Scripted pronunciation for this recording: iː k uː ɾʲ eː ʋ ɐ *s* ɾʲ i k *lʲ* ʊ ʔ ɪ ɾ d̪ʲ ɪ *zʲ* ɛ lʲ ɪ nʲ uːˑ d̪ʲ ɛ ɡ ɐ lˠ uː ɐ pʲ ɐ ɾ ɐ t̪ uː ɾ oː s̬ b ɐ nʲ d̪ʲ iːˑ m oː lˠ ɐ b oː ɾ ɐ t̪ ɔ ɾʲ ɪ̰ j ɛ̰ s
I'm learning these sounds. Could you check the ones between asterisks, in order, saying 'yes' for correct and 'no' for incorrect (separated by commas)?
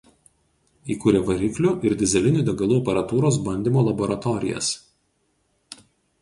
no, yes, yes